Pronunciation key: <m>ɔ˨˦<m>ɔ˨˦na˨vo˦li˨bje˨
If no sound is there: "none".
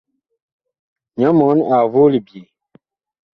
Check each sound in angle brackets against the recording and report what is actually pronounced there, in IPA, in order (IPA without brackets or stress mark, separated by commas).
ɲ, m